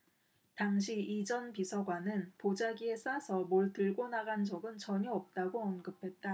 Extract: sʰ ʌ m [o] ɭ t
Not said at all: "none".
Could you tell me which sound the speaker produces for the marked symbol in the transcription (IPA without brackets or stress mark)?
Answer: o